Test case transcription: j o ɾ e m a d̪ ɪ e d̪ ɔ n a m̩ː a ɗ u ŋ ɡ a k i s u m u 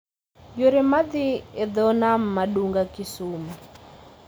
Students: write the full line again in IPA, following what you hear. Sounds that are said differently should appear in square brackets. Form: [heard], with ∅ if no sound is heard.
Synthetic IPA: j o ɾ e m a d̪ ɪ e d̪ ɔ n a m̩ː a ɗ u ŋ ɡ a k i s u m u